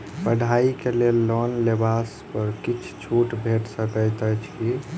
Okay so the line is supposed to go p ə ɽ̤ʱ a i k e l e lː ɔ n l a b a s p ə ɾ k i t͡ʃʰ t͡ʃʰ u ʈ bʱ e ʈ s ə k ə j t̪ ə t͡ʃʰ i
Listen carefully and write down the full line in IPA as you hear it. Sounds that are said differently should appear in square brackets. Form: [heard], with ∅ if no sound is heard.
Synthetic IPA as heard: p ə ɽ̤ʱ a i k e l e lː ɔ n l [e] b a s p ə ɾ k i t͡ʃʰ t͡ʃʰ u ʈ bʱ e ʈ s ə k ə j t̪ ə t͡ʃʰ i